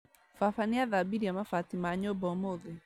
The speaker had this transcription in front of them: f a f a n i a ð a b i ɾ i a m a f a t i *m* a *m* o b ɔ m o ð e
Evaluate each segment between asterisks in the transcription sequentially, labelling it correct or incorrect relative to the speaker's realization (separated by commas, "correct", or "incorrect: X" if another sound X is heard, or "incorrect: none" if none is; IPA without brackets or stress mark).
correct, incorrect: ɲ